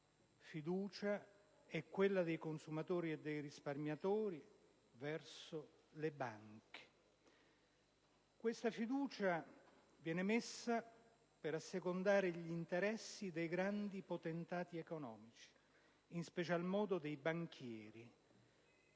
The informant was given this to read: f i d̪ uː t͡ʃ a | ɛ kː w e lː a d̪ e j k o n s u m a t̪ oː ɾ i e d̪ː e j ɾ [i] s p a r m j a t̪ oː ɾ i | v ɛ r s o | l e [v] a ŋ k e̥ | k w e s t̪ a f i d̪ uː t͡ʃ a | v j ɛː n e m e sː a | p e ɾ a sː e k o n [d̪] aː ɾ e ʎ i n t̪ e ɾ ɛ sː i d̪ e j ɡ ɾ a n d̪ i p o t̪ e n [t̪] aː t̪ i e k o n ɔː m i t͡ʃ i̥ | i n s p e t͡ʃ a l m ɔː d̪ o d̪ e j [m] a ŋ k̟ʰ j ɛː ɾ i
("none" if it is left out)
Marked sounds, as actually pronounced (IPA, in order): i, b, d̪, t̪, b

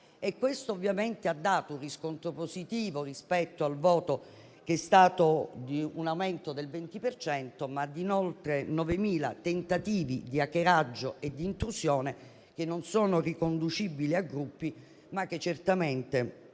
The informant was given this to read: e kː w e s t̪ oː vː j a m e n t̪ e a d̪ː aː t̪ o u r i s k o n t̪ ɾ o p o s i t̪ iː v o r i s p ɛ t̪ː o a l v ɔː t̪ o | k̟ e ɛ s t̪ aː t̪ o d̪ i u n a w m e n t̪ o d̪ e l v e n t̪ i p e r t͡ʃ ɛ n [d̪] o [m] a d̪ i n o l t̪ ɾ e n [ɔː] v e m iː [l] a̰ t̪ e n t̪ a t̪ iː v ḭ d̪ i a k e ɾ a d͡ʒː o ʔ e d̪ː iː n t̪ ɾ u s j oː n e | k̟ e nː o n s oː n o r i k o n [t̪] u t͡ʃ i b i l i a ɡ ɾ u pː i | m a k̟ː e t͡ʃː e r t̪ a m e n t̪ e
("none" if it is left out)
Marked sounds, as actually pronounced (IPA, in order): t̪, m, ɔ, l, d̪

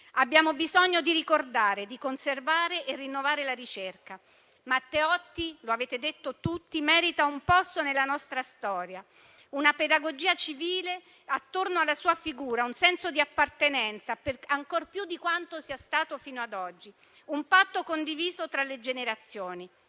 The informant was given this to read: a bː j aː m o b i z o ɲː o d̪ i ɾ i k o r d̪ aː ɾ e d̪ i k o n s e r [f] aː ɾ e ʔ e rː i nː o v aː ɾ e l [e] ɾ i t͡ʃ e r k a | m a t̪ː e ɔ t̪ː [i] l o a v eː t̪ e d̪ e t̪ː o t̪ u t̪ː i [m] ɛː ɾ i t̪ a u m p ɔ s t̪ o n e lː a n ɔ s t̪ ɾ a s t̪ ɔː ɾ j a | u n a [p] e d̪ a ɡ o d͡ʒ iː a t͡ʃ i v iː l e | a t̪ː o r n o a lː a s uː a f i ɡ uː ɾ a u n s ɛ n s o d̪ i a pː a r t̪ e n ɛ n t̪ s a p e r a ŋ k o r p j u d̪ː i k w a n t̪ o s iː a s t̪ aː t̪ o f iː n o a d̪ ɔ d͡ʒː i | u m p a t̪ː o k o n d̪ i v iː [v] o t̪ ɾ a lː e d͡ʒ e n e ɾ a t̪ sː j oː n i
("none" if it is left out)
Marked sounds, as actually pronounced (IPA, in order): v, a, i, m, p, z

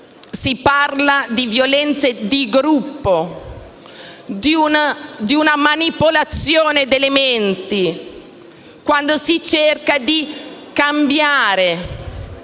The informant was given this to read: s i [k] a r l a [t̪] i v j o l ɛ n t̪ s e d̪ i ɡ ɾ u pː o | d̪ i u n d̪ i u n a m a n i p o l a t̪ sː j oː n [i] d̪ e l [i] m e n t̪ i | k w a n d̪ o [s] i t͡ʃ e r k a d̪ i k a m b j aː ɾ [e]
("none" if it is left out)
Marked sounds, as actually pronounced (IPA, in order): p, d̪, e, e, s, e

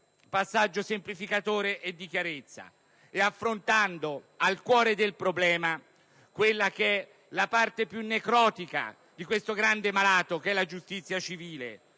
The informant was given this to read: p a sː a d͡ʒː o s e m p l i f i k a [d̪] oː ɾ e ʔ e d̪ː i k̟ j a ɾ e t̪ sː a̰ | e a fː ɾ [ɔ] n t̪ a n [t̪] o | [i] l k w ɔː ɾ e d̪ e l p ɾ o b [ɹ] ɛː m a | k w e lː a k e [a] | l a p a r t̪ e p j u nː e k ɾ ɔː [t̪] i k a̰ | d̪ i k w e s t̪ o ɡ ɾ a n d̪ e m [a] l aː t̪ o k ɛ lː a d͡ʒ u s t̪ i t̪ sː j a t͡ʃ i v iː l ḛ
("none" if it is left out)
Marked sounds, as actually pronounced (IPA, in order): t̪, o, d̪, a, l, ɛ, t̪, a

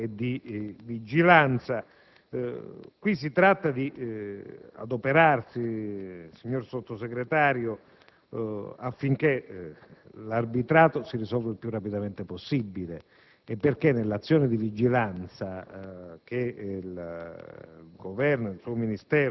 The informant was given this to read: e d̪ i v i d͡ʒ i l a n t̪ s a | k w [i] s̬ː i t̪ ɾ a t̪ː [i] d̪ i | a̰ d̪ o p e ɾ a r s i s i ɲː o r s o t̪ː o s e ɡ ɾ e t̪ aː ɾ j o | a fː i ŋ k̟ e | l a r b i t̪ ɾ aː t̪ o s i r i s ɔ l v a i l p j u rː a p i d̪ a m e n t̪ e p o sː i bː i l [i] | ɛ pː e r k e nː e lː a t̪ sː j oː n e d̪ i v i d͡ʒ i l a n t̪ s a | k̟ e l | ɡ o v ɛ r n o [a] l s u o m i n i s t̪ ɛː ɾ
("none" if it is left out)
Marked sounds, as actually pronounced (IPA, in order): i, a, e, i

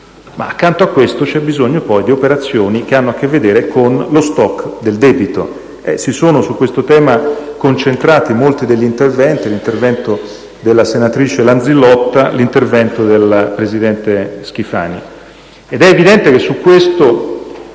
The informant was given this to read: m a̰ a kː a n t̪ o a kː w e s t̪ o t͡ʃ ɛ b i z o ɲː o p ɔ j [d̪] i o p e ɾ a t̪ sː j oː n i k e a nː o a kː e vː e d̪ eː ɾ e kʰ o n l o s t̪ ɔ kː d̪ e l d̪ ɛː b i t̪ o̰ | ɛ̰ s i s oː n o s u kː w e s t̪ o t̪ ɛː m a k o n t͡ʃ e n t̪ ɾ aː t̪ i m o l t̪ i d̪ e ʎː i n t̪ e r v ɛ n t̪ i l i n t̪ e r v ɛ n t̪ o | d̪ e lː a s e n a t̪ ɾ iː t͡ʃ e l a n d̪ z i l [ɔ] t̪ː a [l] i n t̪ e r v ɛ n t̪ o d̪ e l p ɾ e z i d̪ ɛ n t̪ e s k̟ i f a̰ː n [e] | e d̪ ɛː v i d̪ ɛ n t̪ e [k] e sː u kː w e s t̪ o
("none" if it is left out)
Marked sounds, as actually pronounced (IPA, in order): d̪, ɔ, l, i, k

